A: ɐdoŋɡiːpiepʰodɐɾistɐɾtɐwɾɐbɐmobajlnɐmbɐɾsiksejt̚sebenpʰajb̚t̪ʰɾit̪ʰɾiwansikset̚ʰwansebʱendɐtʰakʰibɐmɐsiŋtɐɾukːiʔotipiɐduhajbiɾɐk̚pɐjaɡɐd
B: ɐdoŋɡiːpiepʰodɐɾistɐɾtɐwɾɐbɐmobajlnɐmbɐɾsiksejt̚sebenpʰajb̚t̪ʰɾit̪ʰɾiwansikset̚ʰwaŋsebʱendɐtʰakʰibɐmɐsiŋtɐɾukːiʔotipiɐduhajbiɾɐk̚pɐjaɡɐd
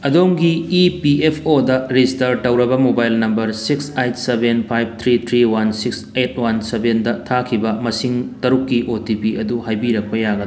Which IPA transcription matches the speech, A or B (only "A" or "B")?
A